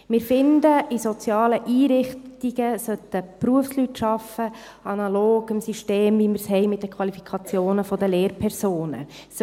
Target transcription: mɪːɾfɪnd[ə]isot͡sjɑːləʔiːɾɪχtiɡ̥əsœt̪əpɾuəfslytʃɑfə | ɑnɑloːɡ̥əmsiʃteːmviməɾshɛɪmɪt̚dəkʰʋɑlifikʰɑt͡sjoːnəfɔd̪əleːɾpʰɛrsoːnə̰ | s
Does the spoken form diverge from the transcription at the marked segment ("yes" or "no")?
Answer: no